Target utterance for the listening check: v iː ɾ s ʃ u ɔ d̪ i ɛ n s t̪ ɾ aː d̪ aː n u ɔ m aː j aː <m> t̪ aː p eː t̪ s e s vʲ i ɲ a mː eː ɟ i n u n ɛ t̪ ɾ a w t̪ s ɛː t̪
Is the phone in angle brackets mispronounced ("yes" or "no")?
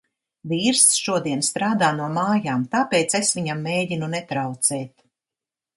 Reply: no